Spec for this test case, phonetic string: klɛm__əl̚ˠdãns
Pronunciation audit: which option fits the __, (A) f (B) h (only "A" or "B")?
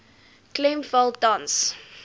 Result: A